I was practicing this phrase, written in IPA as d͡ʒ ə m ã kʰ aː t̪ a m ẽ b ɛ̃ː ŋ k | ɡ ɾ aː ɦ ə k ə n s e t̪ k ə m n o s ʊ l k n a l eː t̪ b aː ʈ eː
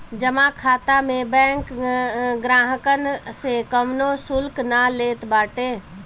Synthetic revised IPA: d͡ʒ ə m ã kʰ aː t̪ a m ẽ b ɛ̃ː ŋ k | ɡ ɾ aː ɦ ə k ə n s e k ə m n o s ʊ l k n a l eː t̪ b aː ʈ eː